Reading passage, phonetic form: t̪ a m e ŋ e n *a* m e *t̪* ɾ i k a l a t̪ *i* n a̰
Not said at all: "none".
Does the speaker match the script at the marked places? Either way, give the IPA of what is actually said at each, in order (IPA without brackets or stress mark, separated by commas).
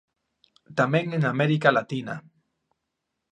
a, none, i